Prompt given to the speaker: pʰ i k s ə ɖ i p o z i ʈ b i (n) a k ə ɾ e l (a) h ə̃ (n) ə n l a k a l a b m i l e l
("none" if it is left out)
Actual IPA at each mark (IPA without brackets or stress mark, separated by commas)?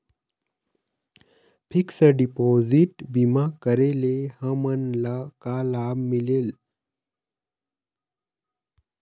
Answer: m, e, m